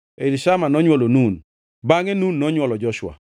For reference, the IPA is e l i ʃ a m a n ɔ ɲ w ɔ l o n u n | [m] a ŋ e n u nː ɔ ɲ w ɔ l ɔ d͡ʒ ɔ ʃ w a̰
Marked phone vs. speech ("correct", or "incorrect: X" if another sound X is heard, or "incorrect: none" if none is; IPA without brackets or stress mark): incorrect: b